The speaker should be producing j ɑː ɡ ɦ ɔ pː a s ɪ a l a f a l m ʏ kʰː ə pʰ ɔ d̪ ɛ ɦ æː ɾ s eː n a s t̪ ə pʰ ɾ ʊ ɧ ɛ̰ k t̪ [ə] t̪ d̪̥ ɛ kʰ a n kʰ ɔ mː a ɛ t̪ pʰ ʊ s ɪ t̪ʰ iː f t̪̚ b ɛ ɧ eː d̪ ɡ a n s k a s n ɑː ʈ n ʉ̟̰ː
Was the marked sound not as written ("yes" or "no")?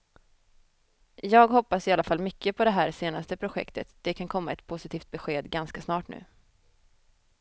no